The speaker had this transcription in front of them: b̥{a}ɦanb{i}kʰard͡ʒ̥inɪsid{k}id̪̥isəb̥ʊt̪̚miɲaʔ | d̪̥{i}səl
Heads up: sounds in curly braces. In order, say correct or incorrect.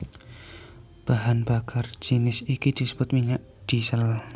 correct, incorrect: a, correct, correct

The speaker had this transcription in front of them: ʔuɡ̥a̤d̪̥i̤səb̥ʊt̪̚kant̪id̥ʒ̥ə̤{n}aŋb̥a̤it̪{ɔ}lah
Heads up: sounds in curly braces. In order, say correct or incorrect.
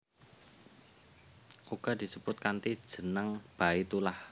correct, incorrect: u

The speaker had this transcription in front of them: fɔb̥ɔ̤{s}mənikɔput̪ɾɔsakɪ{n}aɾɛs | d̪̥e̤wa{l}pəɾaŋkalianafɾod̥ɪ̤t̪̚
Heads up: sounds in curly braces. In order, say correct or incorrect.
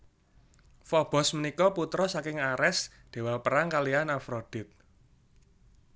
correct, incorrect: ŋ, correct

